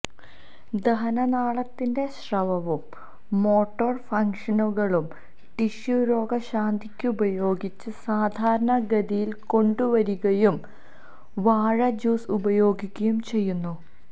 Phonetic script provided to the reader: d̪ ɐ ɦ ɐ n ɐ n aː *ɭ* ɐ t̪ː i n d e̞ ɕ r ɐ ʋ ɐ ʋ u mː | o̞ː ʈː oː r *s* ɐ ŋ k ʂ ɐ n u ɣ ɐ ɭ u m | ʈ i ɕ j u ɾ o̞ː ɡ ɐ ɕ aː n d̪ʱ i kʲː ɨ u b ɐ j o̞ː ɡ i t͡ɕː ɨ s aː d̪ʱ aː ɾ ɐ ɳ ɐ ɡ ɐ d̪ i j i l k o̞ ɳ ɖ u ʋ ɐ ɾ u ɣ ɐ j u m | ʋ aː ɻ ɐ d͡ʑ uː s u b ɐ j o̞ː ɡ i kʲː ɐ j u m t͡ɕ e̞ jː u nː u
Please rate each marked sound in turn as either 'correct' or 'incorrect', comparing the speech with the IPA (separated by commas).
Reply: correct, incorrect